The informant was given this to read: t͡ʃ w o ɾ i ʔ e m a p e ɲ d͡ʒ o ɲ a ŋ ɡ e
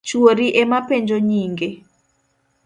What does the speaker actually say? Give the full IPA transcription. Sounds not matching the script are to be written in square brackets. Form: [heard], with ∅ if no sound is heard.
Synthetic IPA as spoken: t͡ʃ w o ɾ i ʔ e m a p e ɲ d͡ʒ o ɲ [i] ŋ ɡ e